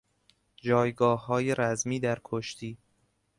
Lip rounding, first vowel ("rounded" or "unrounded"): rounded